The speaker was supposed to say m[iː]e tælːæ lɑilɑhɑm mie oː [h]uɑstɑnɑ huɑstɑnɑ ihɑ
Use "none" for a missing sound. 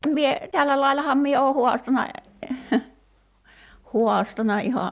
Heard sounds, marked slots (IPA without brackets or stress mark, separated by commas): i, h